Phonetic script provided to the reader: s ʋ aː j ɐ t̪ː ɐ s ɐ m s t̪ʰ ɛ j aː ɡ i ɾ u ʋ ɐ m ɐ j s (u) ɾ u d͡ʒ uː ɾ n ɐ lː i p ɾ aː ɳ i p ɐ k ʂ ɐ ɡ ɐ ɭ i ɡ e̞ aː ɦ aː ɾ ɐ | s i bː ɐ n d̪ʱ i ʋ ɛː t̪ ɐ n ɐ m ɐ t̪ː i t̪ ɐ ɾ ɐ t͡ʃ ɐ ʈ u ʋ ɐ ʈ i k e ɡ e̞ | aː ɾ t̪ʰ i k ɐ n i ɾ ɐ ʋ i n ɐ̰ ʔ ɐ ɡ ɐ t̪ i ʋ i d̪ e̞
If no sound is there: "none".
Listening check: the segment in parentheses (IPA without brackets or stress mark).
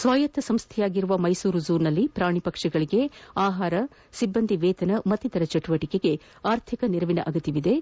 uː